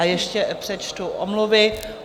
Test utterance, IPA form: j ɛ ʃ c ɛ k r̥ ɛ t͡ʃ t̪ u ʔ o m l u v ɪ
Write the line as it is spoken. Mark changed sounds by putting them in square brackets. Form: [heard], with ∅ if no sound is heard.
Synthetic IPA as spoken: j ɛ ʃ c ɛ [p] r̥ ɛ t͡ʃ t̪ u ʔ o m l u v ɪ